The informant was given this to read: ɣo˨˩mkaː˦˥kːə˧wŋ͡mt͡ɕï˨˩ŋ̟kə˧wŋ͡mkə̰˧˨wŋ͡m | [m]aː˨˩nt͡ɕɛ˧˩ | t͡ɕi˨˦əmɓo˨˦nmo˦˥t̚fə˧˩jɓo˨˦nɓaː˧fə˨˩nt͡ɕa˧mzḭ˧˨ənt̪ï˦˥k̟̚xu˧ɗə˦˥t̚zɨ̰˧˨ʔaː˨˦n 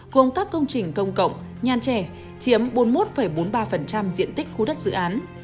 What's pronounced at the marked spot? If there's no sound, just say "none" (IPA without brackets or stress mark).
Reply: ɲ